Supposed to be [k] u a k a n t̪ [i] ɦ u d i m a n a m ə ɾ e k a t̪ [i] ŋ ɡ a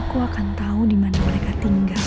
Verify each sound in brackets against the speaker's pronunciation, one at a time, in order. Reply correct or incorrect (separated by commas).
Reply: correct, incorrect, correct